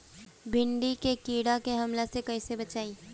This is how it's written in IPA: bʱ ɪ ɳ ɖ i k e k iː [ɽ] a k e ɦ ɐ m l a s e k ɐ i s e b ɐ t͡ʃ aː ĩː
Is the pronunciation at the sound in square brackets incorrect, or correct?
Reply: correct